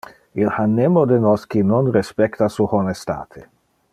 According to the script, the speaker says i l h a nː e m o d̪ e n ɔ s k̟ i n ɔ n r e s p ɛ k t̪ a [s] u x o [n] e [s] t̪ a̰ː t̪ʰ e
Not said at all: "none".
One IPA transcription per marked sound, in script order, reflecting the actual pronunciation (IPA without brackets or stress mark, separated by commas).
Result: s, n, s